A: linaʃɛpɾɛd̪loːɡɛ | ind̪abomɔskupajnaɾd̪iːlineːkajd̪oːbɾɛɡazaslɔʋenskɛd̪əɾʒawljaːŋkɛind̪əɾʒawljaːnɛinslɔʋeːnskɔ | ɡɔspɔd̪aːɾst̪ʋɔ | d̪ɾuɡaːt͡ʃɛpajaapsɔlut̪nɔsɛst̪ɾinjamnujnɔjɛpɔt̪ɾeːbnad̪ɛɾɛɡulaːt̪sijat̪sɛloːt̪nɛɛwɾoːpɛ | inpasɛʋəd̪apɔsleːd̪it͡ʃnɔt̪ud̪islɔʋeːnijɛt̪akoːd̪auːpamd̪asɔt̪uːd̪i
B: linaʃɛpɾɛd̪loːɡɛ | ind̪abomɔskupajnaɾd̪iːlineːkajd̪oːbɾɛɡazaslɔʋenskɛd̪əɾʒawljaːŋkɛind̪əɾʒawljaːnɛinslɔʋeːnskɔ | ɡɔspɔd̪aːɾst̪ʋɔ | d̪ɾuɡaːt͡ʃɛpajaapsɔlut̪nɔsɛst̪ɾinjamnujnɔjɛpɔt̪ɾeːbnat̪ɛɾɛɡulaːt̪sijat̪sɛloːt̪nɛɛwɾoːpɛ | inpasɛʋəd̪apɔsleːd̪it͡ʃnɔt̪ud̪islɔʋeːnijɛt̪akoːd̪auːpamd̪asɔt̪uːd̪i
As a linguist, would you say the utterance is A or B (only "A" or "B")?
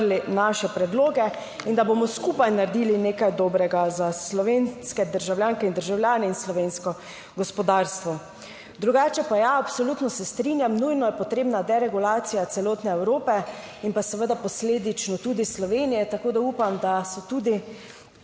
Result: A